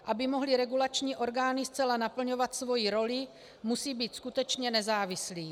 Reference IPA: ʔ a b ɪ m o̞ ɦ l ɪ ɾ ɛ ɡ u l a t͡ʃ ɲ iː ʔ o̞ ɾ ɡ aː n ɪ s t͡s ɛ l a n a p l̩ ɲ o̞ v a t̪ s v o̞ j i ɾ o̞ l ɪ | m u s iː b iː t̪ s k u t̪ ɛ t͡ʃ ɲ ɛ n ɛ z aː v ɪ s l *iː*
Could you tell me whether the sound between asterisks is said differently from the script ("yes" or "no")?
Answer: no